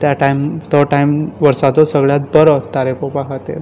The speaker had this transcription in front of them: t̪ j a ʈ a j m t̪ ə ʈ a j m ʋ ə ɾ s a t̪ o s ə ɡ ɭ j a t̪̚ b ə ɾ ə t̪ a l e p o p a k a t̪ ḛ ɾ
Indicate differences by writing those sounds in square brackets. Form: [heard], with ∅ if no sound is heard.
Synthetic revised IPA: t̪ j a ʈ a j m t̪ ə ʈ a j m ʋ ə ɾ s a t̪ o s ə ɡ ɭ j a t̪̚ b ə ɾ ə t̪ a [ɾ] e p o p a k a t̪ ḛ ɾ